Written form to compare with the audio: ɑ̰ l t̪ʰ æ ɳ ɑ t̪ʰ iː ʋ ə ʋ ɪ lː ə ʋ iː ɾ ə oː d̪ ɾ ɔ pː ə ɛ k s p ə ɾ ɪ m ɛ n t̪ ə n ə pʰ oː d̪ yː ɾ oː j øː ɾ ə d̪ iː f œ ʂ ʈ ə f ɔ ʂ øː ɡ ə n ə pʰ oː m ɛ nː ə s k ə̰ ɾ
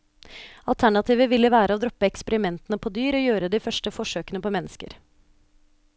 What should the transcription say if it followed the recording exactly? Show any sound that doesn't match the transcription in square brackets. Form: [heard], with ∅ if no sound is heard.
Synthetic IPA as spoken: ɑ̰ l t̪ʰ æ ɳ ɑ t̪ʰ iː ʋ ə ʋ ɪ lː ə ʋ [æː] ɾ ə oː d̪ ɾ ɔ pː ə ɛ k s p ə ɾ ɪ m ɛ n t̪ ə n ə pʰ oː d̪ yː ɾ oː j øː ɾ ə d̪ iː f œ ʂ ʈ ə f ɔ ʂ øː [k] ə n ə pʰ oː m ɛ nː ə s k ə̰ ɾ